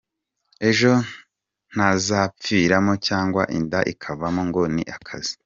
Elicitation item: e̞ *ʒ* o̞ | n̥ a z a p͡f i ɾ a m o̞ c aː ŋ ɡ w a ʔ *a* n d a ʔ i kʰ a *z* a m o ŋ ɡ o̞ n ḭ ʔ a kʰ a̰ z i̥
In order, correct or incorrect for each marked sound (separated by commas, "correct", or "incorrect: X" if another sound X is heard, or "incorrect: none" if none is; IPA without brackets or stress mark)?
correct, incorrect: i, incorrect: v